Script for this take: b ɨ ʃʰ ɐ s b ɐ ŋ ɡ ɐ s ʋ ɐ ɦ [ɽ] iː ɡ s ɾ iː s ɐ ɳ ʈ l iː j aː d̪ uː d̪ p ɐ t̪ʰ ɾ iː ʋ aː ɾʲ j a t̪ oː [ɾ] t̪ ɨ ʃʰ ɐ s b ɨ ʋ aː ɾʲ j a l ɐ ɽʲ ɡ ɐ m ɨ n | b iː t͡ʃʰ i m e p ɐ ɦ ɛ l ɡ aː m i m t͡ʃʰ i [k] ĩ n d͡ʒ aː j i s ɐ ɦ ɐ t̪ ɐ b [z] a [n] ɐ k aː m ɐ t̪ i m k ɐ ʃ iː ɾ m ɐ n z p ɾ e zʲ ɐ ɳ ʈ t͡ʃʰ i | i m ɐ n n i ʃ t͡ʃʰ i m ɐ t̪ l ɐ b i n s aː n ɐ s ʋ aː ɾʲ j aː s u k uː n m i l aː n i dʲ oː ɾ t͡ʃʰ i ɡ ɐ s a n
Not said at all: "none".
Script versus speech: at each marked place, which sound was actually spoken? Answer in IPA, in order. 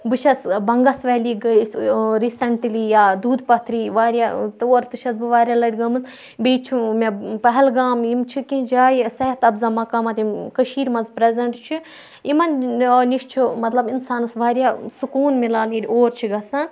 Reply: l, ɾ, k, z, m

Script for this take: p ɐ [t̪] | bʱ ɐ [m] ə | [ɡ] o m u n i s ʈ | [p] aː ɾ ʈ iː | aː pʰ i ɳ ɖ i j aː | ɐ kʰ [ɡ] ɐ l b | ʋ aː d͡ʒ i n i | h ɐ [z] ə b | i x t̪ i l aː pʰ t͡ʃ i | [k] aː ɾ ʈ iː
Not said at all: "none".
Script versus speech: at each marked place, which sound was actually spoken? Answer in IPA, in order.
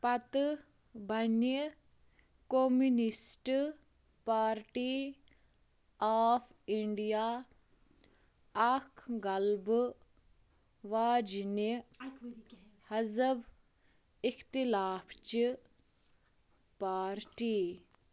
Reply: t̪, n, k, p, ɡ, z, p

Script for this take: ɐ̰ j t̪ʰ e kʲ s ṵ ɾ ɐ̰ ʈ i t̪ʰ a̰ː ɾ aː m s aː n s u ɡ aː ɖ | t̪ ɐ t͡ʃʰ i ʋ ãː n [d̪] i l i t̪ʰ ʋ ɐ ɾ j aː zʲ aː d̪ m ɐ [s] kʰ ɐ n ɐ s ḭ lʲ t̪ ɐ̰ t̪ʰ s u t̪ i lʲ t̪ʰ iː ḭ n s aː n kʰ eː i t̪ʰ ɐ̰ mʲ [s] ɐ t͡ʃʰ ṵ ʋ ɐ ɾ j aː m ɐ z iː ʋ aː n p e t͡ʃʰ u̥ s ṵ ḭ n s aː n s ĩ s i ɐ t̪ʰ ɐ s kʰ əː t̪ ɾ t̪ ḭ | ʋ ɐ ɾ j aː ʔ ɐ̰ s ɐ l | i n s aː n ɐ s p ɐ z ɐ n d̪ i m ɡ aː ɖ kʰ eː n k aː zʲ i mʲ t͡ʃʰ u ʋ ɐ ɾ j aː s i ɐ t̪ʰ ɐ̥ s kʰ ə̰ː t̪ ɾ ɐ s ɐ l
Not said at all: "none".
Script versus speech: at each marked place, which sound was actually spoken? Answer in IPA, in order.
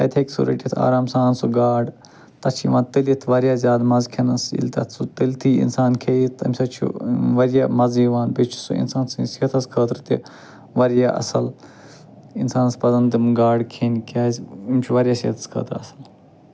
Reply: t̪, z, s

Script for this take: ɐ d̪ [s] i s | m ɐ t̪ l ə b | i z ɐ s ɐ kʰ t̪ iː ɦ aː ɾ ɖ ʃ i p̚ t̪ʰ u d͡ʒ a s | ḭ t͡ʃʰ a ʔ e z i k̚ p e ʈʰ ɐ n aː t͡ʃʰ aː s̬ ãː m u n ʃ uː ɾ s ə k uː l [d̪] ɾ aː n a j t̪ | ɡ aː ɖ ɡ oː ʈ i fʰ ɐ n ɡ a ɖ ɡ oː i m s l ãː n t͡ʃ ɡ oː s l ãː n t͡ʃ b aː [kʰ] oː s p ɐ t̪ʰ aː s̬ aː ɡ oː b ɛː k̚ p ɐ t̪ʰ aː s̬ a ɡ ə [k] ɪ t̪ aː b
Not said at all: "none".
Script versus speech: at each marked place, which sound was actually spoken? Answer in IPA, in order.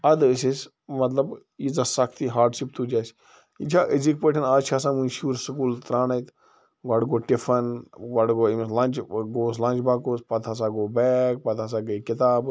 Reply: s, t̪, k, k

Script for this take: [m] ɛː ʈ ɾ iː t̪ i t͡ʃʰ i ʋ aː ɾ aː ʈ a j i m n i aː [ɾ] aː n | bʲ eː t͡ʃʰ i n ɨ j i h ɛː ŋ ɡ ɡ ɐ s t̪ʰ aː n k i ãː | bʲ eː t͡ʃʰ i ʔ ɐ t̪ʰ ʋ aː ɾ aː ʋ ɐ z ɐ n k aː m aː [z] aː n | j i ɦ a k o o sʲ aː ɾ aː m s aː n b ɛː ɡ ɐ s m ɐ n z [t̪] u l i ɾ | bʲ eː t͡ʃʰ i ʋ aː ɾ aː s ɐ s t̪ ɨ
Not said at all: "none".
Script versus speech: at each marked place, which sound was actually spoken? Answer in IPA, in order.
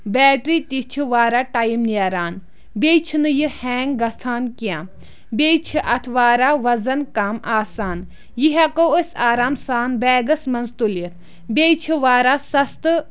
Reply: b, ɾ, s, t̪

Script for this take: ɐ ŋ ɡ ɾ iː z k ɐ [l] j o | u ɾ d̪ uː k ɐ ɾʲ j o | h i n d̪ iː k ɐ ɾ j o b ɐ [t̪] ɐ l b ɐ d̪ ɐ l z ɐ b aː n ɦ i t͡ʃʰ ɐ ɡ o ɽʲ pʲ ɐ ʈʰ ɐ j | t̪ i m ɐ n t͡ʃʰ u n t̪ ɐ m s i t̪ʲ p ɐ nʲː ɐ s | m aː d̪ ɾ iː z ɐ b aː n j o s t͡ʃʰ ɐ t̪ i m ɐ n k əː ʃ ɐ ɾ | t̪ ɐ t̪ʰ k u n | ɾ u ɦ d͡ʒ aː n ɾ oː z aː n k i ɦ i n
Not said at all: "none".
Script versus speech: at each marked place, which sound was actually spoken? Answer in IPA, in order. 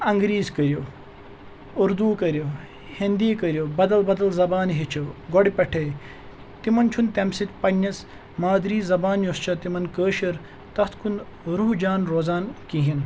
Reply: ɾ, d̪

